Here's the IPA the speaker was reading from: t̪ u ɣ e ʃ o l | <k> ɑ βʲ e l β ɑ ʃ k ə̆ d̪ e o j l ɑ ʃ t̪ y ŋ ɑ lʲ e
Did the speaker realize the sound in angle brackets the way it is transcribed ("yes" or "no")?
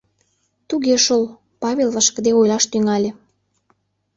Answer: no